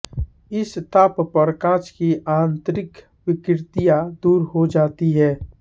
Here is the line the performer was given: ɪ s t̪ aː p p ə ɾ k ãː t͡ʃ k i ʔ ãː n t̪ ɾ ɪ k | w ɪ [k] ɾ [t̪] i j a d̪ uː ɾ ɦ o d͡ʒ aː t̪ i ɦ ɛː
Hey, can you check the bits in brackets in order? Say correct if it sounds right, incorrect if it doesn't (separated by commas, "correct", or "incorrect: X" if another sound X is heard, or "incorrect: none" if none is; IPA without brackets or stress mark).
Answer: correct, correct